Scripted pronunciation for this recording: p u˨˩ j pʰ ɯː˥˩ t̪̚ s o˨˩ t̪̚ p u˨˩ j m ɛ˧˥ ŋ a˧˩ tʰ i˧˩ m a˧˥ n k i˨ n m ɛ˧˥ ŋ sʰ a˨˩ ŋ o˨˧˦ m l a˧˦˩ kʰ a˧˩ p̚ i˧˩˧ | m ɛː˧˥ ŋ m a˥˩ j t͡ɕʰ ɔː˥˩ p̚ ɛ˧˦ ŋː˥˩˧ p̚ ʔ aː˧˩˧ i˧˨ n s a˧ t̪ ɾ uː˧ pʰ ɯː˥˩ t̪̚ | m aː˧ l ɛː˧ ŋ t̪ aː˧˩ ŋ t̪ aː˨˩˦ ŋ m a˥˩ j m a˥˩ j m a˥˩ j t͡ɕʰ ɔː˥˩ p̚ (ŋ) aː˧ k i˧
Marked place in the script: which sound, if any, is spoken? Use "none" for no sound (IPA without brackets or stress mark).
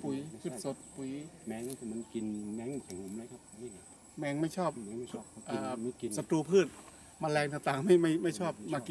m